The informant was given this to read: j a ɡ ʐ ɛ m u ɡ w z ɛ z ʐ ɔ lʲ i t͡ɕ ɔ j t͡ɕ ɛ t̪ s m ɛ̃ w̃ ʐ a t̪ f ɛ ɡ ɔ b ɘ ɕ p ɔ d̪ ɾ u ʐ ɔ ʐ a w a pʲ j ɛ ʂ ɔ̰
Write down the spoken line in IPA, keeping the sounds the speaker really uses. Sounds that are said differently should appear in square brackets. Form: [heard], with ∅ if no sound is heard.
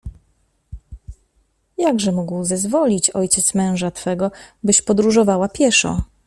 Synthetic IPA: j a ɡ ʐ ɛ m u ɡ w z ɛ z [v] ɔ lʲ i t͡ɕ ɔ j t͡ɕ ɛ t̪ s m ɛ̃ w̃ ʐ a t̪ f ɛ ɡ ɔ b ɘ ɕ p ɔ d̪ ɾ u ʐ ɔ [v] a w a pʲ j ɛ ʂ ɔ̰